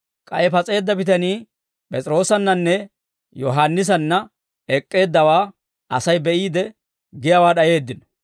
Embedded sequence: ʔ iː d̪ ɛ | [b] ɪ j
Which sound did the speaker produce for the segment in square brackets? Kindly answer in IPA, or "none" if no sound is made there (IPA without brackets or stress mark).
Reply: ɡ